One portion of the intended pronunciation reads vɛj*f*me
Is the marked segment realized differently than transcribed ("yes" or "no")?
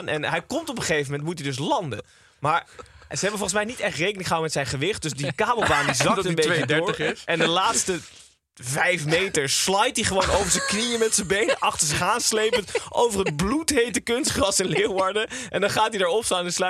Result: no